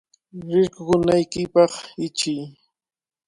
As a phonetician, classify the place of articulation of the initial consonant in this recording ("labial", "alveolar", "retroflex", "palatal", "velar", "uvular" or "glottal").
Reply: alveolar